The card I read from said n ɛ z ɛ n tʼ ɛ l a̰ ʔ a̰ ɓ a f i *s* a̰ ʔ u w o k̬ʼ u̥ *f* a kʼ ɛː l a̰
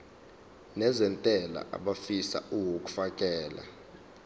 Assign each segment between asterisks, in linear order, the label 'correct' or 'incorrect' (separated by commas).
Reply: correct, correct